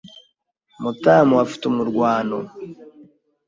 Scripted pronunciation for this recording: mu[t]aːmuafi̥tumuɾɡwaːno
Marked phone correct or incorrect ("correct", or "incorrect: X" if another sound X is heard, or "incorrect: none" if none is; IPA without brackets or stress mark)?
correct